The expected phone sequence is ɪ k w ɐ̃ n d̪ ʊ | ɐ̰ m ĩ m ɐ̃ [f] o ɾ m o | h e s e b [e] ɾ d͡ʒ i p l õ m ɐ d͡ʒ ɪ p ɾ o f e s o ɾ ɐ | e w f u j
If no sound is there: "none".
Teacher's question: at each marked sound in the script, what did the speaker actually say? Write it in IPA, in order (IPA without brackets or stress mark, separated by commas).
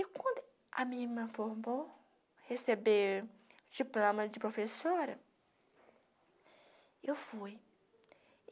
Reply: f, e